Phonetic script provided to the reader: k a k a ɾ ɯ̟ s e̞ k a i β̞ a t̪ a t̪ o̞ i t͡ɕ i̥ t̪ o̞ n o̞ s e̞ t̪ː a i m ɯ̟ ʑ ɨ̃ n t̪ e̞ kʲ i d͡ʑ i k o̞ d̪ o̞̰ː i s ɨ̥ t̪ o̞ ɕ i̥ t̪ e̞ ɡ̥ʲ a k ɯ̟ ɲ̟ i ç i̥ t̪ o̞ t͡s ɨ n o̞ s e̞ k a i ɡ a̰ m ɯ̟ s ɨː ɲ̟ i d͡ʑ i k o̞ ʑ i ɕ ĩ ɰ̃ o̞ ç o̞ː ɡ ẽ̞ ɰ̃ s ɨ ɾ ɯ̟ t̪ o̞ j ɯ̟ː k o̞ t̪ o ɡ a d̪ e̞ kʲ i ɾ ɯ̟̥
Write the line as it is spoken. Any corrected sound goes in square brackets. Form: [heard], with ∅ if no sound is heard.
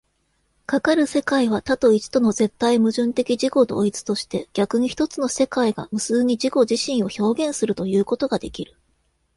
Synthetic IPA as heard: k a k a ɾ ɯ̟ s e̞ k a i β̞ a t̪ a t̪ o̞ i t͡ɕ i̥ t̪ o̞ n o̞ [z] e̞ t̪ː a i m ɯ̟ ʑ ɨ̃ n t̪ e̞ kʲ i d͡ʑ i k o̞ d̪ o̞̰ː i [t͡s] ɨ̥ t̪ o̞ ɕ i̥ t̪ e̞ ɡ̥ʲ a k ɯ̟ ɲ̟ i ç i̥ t̪ o̞ t͡s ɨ n o̞ s e̞ k a i ɡ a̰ m ɯ̟ s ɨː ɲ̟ i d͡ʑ i k o̞ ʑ i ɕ ĩ ɰ̃ o̞ ç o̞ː ɡ ẽ̞ ɰ̃ s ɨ ɾ ɯ̟ t̪ o̞ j ɯ̟ː k o̞ t̪ o ɡ a d̪ e̞ kʲ i ɾ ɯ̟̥